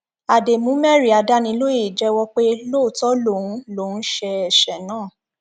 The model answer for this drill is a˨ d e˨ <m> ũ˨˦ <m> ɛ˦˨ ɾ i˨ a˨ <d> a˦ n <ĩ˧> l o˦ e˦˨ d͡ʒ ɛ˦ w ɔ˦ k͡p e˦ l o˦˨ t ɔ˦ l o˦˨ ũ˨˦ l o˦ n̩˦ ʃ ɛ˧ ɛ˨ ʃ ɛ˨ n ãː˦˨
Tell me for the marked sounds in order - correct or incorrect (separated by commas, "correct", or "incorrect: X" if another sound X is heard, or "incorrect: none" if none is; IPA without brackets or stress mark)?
correct, correct, correct, correct